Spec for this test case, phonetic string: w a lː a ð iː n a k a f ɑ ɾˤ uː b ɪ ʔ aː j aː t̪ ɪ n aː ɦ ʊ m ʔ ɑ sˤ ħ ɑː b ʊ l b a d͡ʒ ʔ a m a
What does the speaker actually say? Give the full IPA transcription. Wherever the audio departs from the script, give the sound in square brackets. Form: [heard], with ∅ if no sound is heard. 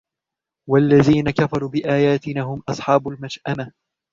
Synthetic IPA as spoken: w a lː a ð iː n a k a f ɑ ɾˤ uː b ɪ ʔ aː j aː t̪ ɪ n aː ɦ ʊ m ʔ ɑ sˤ ħ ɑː b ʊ l [m] a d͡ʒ ʔ a m a